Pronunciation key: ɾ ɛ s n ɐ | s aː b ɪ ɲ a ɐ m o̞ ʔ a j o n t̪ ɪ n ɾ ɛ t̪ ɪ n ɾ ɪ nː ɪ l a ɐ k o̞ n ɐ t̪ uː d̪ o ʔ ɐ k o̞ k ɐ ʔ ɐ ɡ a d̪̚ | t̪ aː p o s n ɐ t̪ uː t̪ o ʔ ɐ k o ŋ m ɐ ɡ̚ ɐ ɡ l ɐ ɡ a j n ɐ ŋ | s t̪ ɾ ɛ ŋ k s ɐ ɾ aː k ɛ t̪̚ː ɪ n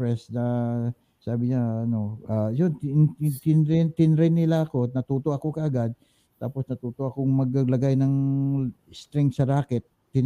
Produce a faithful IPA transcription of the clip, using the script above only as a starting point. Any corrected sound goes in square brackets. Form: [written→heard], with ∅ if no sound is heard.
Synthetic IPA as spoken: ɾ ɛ s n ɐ | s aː b ɪ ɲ a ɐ [m→n] o̞ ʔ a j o n t̪ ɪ n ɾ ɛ t̪ ɪ n ɾ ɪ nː ɪ l a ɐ k o̞ n ɐ t̪ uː [d̪→t̪] o ʔ ɐ k o̞ k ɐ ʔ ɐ ɡ a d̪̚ | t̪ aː p o s n ɐ t̪ uː t̪ o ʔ ɐ k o ŋ m ɐ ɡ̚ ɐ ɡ l ɐ ɡ a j n ɐ ŋ | s t̪ ɾ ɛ ŋ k s ɐ ɾ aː k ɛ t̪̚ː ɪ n